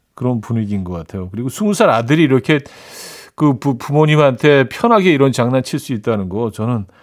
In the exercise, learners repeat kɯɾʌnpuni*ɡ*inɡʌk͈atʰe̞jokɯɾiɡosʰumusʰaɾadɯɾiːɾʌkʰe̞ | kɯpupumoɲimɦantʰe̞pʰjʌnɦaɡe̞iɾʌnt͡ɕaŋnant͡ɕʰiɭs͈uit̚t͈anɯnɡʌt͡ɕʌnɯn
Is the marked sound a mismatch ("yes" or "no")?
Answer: no